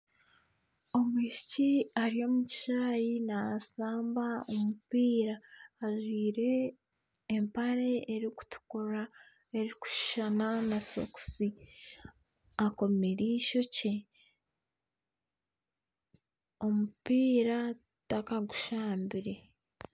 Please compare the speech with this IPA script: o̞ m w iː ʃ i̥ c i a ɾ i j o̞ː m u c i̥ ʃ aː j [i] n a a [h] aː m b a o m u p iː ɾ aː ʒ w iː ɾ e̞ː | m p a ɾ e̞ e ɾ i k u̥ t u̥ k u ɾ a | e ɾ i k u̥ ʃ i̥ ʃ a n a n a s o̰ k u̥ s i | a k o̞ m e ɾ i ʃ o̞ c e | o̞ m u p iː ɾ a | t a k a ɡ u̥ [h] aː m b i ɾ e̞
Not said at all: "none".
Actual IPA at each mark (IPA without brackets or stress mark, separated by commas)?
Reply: i, s, ʃ